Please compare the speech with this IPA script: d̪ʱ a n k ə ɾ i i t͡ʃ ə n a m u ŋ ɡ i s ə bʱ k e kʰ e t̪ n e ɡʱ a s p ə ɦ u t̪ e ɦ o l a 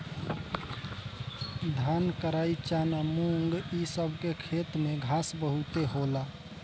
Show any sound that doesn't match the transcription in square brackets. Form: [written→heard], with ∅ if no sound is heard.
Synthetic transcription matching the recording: d̪ʱ a n k ə ɾ [i→a] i t͡ʃ [ə→a] n a m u ŋ ɡ i s ə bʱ k e kʰ e t̪ [n→m] e ɡʱ a s [p→b] ə ɦ u t̪ e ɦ o l a